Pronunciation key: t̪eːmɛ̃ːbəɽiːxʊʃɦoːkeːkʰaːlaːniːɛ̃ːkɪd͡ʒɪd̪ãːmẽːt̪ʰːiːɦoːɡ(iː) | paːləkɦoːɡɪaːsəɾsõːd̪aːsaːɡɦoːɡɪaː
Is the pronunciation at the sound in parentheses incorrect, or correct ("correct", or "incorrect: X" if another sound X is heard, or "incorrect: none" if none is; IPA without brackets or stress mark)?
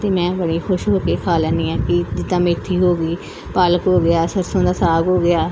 correct